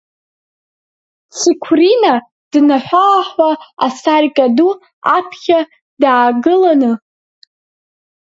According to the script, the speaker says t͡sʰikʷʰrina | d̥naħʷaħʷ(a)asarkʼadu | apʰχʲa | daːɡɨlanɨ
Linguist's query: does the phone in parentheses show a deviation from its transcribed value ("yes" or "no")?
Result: no